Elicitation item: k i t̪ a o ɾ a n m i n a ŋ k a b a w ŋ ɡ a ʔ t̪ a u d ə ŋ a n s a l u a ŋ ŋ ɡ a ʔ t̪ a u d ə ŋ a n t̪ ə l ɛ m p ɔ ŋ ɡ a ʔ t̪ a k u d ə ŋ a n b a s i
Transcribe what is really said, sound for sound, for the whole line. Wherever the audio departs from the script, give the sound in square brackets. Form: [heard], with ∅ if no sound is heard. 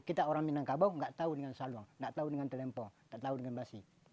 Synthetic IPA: k i t̪ a o ɾ a [ŋ] m i n a ŋ k a b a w ŋ ɡ a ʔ t̪ a u d ə ŋ a n s a l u a ŋ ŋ ɡ a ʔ t̪ a u d ə ŋ a n t̪ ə l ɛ m p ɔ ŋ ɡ a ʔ t̪ a [∅] u d ə ŋ a n b a s i